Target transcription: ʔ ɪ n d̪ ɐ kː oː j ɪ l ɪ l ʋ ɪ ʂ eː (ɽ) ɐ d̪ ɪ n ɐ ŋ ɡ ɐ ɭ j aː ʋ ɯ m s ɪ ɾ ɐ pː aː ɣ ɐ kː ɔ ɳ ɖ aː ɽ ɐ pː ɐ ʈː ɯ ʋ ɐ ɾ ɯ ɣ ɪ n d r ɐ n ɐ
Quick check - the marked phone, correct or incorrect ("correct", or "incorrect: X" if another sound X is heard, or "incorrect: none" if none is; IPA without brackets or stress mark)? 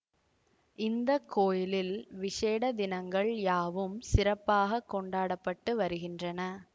correct